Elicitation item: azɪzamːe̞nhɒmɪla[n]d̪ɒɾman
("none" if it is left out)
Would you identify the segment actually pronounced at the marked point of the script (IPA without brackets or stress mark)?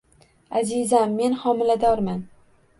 none